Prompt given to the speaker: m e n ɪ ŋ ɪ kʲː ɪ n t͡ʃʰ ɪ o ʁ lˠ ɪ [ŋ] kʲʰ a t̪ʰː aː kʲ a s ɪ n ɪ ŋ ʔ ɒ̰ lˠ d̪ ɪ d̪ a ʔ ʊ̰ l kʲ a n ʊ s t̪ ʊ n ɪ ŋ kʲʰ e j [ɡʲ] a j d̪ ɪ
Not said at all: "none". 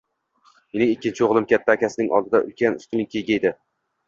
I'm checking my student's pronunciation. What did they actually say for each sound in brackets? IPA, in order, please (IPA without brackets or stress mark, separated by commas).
m, ɡʲ